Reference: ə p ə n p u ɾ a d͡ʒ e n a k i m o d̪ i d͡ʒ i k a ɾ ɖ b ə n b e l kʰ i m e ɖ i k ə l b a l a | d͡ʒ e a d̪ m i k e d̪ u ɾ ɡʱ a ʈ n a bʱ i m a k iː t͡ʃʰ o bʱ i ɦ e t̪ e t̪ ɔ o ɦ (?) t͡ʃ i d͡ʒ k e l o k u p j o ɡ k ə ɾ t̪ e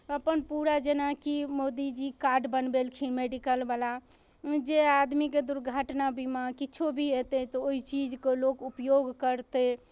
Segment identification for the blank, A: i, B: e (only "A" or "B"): A